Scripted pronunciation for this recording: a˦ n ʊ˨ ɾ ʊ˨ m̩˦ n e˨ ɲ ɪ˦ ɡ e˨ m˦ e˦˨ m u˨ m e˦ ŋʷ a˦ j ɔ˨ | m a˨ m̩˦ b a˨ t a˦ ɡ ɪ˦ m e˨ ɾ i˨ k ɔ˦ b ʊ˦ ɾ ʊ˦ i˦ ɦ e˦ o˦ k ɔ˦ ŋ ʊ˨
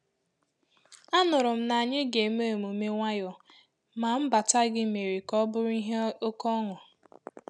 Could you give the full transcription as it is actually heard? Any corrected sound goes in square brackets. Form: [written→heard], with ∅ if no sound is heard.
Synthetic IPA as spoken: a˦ n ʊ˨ ɾ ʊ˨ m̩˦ n [e˨→a˨] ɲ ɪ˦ ɡ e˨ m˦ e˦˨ m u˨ m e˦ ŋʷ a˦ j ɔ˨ | m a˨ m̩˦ b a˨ t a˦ ɡ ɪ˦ m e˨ ɾ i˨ k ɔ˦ b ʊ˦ ɾ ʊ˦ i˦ ɦ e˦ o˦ k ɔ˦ ŋ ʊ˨